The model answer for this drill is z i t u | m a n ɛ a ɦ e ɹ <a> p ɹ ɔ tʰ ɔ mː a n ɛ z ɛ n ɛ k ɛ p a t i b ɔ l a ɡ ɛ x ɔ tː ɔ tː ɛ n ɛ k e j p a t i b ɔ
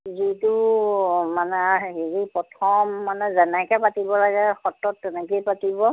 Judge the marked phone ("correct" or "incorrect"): incorrect